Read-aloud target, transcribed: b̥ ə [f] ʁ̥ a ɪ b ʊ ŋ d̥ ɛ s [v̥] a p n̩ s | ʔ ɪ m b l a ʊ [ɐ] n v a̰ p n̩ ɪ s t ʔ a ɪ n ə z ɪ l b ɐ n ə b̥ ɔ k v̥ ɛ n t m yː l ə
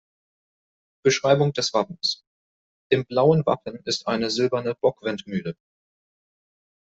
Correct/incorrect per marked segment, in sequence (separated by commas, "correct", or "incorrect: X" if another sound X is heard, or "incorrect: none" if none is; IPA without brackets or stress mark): incorrect: ʃ, correct, incorrect: ə